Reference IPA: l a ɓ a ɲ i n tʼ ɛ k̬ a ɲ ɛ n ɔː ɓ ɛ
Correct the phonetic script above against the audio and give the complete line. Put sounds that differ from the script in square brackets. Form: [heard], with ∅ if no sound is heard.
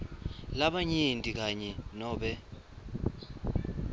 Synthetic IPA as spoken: l a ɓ a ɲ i n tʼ [i] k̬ a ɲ ɛ n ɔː ɓ ɛ